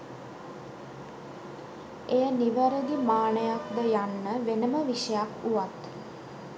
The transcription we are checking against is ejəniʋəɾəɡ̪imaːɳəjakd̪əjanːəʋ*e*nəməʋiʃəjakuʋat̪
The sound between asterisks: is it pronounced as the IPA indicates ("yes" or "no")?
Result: yes